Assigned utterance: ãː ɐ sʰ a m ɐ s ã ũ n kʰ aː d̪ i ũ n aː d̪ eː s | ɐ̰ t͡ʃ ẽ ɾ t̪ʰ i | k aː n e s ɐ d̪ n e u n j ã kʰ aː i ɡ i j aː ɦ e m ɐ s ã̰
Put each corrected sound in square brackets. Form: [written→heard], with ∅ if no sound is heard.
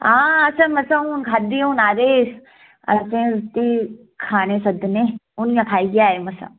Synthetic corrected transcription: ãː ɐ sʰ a m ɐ s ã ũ n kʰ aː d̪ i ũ n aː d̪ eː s | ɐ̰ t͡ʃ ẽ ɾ [t̪ʰ→t̪] i | [k→kʰ] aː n e s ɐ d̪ n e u n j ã kʰ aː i ɡ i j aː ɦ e m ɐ s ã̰